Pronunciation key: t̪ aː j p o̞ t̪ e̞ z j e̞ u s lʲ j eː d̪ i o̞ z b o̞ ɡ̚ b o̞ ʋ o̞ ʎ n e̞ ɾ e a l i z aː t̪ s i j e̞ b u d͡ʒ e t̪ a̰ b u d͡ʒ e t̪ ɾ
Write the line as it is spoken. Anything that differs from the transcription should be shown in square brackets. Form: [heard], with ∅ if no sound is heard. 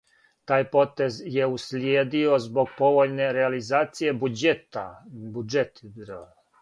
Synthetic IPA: t̪ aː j p o̞ t̪ e̞ z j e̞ u s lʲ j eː d̪ i o̞ z b o̞ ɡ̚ [p] o̞ ʋ o̞ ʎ n e̞ ɾ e a l i z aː t̪ s i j e̞ b u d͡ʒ e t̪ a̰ b u d͡ʒ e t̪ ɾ